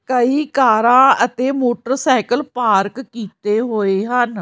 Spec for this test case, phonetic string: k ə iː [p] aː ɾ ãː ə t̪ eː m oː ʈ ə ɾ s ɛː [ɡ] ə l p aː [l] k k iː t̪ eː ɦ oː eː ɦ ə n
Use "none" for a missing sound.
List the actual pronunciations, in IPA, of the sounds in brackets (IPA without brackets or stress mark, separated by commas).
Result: k, k, ɾ